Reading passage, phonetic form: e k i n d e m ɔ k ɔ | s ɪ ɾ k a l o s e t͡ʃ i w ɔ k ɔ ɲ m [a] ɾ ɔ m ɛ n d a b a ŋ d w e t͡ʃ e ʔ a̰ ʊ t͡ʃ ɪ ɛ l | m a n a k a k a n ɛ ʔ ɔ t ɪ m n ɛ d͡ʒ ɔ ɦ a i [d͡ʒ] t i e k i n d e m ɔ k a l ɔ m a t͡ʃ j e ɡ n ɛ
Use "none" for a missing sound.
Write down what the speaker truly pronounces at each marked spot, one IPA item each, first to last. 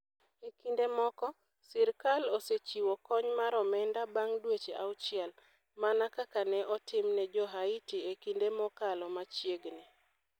a, none

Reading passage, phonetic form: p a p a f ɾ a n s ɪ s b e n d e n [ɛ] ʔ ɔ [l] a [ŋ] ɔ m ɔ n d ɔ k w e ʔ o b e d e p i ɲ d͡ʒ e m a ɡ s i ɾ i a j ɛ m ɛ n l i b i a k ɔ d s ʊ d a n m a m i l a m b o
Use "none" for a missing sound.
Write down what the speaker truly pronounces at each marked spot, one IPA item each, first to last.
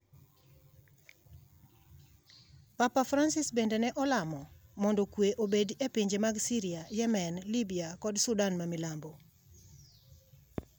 ɛ, l, m

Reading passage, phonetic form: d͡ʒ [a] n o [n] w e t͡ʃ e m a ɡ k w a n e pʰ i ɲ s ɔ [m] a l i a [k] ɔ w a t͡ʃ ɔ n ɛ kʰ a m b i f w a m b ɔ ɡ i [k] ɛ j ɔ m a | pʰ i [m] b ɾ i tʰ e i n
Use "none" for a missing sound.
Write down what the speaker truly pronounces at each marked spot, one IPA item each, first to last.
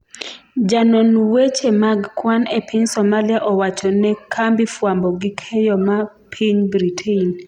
a, n, m, ʔ, kʰ, ɲ

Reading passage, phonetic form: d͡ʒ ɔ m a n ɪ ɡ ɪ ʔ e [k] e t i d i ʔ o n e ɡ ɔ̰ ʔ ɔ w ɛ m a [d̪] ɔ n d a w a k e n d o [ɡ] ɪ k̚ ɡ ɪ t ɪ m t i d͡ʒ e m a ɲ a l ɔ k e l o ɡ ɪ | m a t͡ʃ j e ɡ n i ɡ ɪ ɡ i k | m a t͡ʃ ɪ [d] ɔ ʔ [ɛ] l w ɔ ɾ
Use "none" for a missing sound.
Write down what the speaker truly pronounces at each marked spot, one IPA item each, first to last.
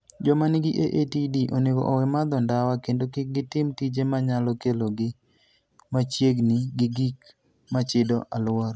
ʔ, d̪, k, d, a

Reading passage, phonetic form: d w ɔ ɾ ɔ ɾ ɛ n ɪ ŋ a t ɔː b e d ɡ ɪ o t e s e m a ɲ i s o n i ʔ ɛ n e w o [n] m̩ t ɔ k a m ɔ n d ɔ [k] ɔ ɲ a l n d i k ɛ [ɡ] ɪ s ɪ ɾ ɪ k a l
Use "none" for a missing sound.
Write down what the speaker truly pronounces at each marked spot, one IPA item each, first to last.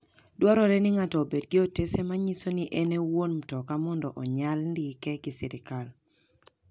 n, ʔ, ɡ

